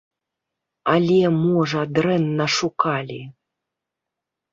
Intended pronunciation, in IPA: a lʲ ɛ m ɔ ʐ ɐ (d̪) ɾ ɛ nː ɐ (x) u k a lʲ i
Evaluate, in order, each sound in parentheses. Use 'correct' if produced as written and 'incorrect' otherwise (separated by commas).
correct, incorrect